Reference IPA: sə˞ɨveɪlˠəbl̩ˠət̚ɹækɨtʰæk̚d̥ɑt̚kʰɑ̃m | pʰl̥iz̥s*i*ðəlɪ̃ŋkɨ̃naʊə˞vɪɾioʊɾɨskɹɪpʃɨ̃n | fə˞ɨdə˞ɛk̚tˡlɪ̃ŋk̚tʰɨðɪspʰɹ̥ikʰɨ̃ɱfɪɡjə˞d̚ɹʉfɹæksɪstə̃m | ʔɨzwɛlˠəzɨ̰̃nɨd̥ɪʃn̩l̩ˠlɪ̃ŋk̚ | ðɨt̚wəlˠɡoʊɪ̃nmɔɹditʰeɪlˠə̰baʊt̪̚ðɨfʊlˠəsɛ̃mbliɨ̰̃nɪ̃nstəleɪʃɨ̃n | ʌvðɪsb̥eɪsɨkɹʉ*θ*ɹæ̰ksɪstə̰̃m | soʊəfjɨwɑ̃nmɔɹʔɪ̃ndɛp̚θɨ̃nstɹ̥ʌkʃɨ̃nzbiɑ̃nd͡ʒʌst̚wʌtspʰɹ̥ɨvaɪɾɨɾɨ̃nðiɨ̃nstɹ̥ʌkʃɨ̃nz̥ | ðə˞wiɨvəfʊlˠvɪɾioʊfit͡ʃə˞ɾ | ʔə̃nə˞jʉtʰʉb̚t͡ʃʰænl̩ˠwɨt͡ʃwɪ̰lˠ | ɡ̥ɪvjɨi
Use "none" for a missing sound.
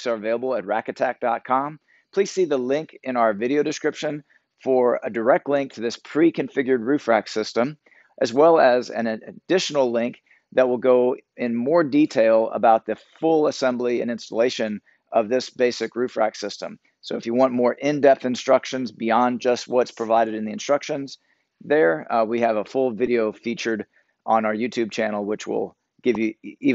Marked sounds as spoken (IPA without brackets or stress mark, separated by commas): i, f